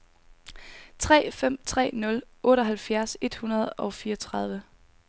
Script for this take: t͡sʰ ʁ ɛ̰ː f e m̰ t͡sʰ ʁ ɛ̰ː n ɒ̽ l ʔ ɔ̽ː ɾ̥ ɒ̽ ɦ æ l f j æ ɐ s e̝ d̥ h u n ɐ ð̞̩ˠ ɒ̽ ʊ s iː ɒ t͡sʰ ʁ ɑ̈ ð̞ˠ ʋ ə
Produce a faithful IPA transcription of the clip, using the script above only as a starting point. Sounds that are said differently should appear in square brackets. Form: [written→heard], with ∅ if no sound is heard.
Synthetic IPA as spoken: t͡sʰ ʁ ɛ̰ː f e m̰ t͡sʰ ʁ ɛ̰ː n [ɒ̽→ɔ̽] l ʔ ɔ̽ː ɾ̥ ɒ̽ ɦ æ l f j æ ɐ s e̝ d̥ h u n ɐ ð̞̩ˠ ɒ̽ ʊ [s→f] iː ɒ t͡sʰ ʁ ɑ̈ ð̞ˠ ʋ ə